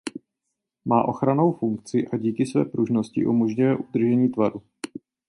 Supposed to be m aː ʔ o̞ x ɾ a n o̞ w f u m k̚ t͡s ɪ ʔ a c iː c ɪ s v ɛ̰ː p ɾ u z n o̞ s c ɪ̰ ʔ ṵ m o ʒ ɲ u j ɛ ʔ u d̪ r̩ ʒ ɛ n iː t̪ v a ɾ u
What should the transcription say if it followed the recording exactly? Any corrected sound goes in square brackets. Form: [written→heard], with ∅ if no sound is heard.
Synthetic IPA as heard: m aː ʔ o̞ x ɾ a n o̞ w f u [m→ŋ] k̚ t͡s ɪ ʔ a [c→ɟ] iː [c→k] ɪ s v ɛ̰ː p ɾ u [z→ʒ] n o̞ s c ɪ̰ ʔ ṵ m o ʒ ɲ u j ɛ ʔ u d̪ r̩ ʒ ɛ [n→ɲ] iː t̪ v a ɾ u